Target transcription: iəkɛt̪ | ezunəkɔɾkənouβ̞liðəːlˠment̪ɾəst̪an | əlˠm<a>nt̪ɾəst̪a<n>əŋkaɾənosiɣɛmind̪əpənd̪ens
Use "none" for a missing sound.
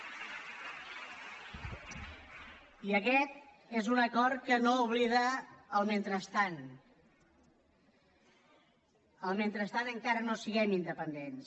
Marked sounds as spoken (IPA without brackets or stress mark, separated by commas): e, n